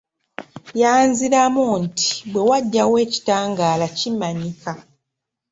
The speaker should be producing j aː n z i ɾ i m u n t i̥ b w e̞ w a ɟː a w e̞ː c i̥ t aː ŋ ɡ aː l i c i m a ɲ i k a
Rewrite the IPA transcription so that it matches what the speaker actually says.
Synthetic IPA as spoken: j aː n z i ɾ a m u n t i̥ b w e̞ w a ɟː a w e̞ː c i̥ t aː ŋ ɡ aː l a c i m a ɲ i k a